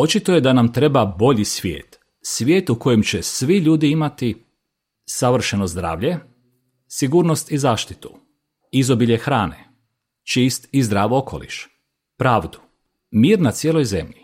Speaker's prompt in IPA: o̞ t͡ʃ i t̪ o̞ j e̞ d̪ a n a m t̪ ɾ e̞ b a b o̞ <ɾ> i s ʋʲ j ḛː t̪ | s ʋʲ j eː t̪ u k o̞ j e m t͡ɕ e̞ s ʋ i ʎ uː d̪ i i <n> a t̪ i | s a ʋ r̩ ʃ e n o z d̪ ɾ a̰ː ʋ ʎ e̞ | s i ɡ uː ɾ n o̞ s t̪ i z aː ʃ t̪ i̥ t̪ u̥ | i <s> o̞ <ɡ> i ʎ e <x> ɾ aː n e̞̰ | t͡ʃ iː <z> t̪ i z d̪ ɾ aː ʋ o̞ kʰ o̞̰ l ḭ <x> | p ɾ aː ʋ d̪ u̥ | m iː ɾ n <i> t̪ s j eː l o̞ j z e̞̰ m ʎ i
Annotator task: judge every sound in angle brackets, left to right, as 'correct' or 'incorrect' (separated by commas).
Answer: incorrect, incorrect, incorrect, incorrect, correct, incorrect, incorrect, incorrect